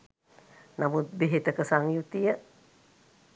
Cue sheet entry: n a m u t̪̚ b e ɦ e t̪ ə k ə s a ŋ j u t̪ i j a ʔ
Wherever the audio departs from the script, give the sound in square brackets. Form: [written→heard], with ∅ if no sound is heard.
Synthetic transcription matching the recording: n a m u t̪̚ b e ɦ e t̪ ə k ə s a ŋ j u t̪ i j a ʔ